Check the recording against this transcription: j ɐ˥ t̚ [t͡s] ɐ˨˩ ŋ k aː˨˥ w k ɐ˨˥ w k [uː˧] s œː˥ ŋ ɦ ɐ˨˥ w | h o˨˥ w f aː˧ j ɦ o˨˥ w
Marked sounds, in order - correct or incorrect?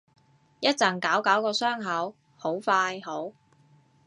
correct, incorrect

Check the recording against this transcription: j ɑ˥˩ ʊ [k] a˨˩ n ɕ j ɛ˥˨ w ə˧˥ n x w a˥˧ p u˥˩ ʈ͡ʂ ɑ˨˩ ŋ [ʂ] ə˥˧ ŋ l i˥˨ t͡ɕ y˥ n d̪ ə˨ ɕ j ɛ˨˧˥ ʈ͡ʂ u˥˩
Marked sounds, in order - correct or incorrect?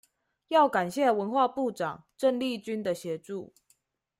correct, incorrect

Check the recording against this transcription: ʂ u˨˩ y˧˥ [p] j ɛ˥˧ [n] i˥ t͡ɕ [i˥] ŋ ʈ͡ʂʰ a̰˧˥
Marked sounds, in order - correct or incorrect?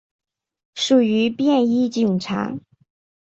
correct, correct, incorrect

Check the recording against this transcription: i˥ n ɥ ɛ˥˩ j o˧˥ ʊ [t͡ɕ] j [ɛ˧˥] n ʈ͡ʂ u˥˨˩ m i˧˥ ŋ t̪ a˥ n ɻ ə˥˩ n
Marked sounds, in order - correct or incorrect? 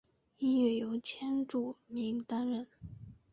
incorrect, incorrect

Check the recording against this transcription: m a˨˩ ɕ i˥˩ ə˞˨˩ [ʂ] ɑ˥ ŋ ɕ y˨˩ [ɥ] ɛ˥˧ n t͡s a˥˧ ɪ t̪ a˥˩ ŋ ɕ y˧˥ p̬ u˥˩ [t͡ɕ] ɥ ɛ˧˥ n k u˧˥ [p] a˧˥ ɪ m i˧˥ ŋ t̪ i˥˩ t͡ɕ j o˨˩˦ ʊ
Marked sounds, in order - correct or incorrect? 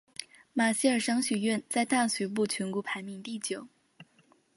correct, correct, incorrect, incorrect

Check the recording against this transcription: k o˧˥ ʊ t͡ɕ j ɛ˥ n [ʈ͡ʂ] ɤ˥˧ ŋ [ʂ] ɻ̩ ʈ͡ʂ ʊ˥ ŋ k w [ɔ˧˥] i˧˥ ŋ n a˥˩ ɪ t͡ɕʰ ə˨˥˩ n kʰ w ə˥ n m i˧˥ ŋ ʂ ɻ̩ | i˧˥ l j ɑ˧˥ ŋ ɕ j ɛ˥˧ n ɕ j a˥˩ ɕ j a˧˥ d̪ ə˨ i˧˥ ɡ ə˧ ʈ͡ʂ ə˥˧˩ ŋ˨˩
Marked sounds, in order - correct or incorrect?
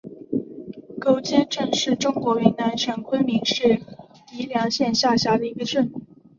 correct, correct, correct

